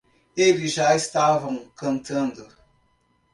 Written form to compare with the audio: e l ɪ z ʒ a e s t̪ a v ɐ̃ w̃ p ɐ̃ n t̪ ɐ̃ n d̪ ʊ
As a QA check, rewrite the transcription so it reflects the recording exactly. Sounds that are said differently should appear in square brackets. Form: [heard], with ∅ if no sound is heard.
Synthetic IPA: e l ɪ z ʒ a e s t̪ a v ɐ̃ w̃ [k] ɐ̃ n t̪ ɐ̃ n d̪ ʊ